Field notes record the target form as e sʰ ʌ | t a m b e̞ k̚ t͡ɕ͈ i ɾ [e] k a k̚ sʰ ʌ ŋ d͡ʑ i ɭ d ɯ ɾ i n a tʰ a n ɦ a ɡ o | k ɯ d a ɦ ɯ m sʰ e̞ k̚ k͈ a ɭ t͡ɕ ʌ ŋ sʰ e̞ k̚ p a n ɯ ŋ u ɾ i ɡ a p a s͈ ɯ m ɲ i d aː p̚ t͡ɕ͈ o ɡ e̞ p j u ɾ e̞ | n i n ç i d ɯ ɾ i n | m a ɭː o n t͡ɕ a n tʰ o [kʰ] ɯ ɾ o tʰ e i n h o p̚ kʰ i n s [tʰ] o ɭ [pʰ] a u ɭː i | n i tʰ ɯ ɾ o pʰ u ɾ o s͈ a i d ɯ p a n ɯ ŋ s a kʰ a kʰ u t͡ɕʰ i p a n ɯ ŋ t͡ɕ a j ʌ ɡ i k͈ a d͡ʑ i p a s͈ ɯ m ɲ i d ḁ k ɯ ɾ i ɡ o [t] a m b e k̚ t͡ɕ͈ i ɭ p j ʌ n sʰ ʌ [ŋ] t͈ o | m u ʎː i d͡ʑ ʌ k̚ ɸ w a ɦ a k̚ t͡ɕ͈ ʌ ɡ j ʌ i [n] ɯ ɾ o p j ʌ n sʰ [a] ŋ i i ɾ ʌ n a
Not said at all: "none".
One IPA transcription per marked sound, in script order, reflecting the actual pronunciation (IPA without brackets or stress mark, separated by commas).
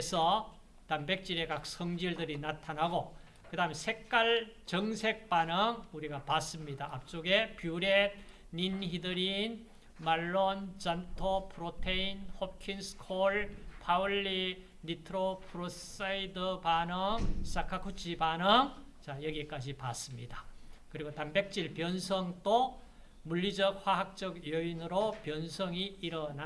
e, pʰ, kʰ, pʰ, t, ŋ, n, ʌ